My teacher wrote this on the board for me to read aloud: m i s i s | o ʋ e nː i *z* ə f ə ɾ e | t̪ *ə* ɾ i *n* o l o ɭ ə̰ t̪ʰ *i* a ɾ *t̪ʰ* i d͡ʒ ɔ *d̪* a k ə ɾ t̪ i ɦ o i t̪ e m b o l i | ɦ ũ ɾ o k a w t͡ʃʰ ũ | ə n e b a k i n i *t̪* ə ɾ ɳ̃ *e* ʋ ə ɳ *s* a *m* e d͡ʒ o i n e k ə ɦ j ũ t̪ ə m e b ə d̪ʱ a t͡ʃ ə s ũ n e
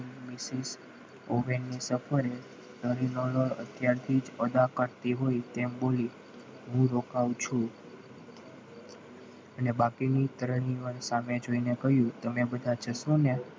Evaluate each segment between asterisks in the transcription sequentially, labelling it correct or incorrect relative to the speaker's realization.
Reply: incorrect, correct, correct, incorrect, correct, correct, correct, incorrect, correct, correct

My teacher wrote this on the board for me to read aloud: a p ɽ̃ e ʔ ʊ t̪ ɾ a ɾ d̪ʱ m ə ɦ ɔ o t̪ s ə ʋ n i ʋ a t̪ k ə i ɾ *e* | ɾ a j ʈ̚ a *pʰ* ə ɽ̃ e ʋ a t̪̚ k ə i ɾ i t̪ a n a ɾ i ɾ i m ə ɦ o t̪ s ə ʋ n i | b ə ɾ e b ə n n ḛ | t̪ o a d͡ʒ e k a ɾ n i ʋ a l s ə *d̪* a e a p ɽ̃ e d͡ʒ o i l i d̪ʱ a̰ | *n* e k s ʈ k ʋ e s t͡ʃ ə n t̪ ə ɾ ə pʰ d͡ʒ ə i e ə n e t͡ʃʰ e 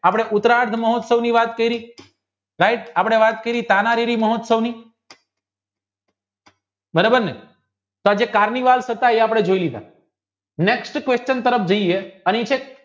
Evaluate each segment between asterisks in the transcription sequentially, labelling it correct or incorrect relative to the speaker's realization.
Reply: incorrect, incorrect, incorrect, correct

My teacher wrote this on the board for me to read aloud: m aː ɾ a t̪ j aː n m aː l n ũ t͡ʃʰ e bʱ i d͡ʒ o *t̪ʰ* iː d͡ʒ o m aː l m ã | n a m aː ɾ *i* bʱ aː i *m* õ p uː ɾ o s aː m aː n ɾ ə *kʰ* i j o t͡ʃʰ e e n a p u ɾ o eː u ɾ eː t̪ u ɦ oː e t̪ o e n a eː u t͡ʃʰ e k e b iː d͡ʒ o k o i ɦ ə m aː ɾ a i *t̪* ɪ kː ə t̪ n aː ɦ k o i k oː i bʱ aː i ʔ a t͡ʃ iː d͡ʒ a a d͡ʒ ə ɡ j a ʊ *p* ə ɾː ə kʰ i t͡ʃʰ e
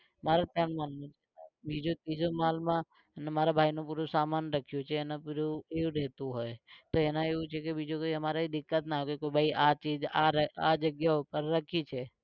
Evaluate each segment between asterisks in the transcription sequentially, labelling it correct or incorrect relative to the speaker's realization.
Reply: incorrect, incorrect, incorrect, correct, incorrect, correct

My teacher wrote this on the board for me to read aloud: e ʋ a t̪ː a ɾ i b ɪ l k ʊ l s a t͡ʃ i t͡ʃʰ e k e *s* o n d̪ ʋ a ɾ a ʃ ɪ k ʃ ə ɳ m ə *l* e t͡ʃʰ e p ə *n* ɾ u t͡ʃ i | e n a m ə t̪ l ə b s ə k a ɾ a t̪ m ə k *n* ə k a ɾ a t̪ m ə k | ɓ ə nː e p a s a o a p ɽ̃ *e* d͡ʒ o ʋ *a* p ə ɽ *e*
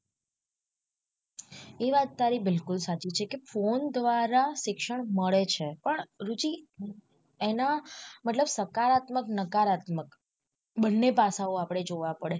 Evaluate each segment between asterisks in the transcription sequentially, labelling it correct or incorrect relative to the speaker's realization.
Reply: incorrect, incorrect, incorrect, correct, correct, correct, correct

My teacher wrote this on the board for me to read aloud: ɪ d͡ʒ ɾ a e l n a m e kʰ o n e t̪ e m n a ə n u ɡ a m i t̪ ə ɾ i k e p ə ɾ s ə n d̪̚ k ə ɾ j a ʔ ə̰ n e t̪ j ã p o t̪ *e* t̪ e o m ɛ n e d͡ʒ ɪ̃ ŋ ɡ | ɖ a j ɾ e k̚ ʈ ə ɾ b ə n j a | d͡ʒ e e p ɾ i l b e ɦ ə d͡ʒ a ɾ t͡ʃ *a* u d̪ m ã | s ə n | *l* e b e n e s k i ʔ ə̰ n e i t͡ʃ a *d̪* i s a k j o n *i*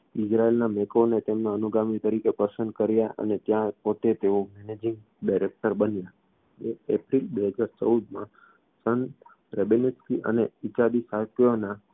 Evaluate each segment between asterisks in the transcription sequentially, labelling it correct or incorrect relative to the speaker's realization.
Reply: correct, incorrect, incorrect, correct, incorrect

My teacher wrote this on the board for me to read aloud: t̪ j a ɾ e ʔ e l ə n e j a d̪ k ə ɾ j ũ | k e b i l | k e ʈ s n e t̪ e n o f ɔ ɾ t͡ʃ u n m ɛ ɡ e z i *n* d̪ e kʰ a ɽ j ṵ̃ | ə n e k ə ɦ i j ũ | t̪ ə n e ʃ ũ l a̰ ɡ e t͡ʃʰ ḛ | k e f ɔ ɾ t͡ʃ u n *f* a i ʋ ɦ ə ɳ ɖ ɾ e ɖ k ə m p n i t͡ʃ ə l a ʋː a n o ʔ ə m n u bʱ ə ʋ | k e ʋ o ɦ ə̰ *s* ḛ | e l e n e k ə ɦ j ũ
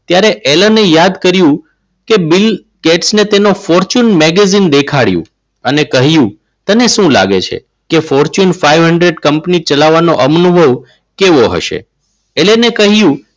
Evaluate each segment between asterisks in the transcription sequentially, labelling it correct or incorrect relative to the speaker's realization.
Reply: correct, correct, incorrect

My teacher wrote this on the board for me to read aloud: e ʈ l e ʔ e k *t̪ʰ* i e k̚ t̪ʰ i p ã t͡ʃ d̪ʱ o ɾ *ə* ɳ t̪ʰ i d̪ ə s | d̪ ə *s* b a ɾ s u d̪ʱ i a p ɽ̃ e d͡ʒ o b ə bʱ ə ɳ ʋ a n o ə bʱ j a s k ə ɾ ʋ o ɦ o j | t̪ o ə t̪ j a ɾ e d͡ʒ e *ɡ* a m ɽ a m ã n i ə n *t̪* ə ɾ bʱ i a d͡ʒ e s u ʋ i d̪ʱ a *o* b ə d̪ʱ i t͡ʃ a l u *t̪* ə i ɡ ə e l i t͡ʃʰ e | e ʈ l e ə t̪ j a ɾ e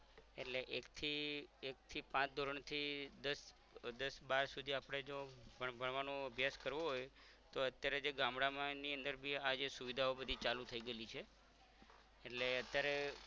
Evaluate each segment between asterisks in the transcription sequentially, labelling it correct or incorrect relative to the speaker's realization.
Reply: correct, correct, correct, correct, incorrect, correct, incorrect

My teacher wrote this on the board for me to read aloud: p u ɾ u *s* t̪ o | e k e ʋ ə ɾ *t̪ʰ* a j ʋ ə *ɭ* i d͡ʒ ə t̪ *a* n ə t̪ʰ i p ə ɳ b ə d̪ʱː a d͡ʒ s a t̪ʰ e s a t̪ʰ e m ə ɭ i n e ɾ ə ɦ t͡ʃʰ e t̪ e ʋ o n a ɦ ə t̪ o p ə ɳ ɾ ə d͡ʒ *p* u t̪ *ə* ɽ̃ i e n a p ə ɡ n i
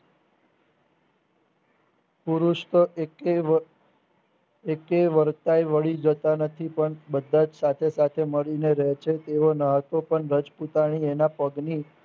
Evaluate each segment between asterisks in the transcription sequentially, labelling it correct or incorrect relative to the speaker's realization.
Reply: incorrect, incorrect, correct, correct, correct, incorrect

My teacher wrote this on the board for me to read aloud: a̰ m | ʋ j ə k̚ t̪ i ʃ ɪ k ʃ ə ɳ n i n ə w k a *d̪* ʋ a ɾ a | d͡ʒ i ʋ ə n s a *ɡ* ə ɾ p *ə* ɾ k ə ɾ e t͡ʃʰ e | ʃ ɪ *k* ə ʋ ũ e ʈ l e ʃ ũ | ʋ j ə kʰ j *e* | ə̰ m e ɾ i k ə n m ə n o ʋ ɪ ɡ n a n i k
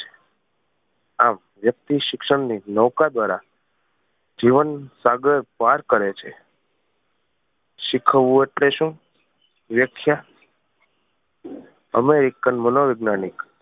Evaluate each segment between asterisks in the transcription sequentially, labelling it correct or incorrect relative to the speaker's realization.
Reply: correct, correct, incorrect, incorrect, incorrect

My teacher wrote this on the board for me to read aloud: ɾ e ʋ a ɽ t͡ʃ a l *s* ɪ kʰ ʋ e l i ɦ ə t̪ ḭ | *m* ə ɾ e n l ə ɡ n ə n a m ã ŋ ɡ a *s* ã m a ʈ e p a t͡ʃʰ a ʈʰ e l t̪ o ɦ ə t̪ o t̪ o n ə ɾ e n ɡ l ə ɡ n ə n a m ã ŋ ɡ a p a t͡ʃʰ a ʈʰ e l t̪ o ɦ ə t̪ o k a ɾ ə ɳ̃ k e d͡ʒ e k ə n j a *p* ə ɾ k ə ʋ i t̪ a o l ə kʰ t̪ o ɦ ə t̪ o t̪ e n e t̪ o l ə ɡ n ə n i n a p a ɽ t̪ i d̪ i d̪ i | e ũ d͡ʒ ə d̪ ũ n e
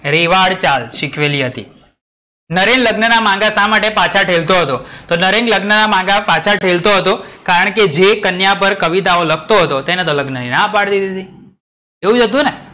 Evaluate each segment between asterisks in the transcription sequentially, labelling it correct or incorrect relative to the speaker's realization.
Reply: incorrect, incorrect, correct, correct

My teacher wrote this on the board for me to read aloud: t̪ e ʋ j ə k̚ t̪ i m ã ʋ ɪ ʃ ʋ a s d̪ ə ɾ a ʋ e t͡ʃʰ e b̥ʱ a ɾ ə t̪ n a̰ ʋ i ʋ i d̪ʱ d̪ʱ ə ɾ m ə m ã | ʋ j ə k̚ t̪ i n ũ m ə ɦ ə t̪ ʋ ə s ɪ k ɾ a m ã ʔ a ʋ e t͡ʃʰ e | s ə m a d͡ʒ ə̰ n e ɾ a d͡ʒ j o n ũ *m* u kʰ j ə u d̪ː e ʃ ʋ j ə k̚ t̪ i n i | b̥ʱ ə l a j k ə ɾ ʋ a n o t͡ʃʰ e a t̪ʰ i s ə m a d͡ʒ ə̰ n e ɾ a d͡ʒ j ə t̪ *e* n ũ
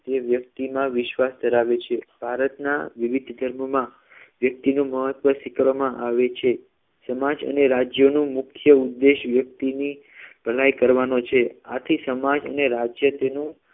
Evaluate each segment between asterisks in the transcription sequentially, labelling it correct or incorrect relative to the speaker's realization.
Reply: correct, correct

